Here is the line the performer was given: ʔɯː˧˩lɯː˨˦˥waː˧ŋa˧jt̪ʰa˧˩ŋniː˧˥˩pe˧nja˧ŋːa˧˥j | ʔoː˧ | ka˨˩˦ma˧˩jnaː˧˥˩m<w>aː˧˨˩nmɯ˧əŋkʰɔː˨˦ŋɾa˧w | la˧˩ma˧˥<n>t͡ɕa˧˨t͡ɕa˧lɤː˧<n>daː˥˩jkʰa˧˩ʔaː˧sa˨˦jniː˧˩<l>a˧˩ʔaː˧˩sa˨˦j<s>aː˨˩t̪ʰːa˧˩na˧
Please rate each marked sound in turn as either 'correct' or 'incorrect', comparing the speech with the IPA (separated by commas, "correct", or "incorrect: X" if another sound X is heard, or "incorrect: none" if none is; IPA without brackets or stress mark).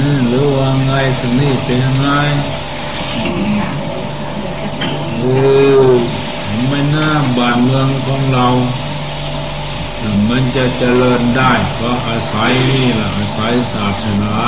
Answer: incorrect: b, correct, correct, correct, correct